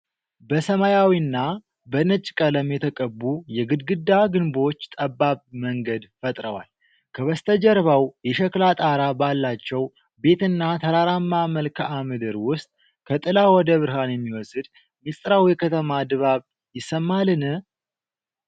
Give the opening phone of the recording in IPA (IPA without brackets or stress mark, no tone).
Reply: b